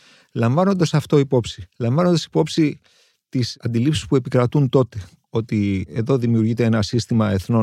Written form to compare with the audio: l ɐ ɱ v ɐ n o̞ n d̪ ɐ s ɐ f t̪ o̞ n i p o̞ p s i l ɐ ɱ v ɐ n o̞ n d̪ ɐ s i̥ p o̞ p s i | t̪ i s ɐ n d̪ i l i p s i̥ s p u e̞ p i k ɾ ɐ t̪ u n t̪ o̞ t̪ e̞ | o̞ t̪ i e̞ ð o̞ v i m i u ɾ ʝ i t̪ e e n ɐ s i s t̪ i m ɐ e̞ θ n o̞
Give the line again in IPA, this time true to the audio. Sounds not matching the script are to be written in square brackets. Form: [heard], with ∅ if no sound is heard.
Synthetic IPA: l ɐ ɱ v ɐ n o̞ n d̪ ɐ s ɐ f t̪ o̞ [∅] i p o̞ p s i l ɐ ɱ v ɐ n o̞ n d̪ ɐ s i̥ p o̞ p s i | t̪ i s ɐ n d̪ i l i p s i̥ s p u e̞ p i k ɾ ɐ t̪ u n t̪ o̞ t̪ e̞ | o̞ t̪ i e̞ ð o̞ [ð] i m i u ɾ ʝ i t̪ e e n ɐ s i s t̪ i m ɐ e̞ θ n o̞